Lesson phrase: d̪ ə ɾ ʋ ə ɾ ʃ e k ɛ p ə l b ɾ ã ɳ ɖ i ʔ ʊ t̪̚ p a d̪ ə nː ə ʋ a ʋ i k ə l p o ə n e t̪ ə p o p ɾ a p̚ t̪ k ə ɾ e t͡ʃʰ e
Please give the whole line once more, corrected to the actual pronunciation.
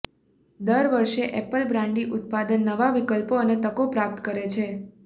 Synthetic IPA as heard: d̪ ə ɾ ʋ ə ɾ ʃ e ʔ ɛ p ə l b ɾ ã ɳ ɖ i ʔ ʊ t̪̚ p a d̪ ə nː ə ʋ a ʋ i k ə l p o ə n e t̪ ə k o p ɾ a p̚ t̪ k ə ɾ e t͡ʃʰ e